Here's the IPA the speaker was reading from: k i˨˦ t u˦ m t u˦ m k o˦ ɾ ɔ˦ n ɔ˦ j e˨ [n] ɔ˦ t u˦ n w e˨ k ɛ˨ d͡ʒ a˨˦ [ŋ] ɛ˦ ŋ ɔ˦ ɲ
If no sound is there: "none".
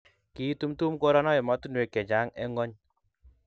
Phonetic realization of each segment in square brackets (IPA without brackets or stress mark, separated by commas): m, ŋ